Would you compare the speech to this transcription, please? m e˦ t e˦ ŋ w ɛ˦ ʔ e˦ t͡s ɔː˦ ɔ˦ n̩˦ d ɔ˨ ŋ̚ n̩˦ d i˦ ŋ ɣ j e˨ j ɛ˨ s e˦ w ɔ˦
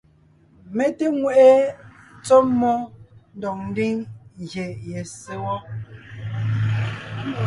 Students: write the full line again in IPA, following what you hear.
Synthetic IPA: m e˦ t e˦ ŋ w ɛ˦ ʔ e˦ t͡s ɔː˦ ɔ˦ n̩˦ d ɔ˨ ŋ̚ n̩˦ d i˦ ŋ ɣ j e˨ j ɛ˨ s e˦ w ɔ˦